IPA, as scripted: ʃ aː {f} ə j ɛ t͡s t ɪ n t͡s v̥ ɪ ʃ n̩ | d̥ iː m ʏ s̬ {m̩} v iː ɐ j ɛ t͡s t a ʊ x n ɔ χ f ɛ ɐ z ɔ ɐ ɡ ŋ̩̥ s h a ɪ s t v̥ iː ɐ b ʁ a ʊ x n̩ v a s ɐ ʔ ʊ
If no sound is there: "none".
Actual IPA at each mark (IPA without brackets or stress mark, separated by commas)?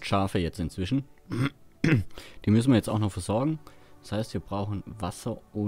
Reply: f, n̩